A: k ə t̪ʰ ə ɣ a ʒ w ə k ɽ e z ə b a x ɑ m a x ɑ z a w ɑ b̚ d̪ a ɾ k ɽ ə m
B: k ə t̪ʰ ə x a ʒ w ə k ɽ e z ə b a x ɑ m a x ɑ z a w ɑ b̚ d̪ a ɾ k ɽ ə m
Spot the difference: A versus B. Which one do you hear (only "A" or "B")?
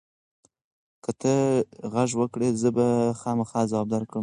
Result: A